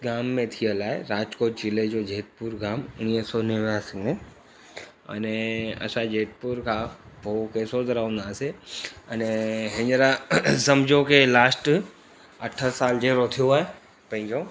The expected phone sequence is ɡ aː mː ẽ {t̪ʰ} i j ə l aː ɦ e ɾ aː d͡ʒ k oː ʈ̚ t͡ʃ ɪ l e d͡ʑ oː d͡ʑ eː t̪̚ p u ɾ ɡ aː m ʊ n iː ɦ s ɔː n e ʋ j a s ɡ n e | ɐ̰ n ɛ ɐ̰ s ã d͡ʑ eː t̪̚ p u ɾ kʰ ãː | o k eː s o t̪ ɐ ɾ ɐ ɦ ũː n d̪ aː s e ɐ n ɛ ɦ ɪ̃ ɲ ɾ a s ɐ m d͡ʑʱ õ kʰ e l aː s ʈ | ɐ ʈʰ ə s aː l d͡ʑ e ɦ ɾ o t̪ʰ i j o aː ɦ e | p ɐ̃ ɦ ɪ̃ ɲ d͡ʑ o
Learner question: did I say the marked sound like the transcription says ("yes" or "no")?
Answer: yes